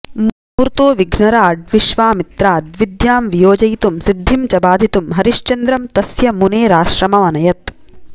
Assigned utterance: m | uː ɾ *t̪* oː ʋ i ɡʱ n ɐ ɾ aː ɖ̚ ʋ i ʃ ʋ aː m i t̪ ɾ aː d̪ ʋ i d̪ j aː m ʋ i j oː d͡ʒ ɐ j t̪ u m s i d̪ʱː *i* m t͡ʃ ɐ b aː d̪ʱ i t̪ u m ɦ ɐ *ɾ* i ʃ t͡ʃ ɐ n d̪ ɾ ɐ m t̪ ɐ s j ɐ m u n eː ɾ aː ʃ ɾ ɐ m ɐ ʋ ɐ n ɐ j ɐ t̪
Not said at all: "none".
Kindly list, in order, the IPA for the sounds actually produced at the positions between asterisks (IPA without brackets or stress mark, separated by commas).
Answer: t̪, i, ɾ